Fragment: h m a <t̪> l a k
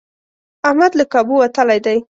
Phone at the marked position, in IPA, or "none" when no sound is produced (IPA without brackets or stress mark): d̪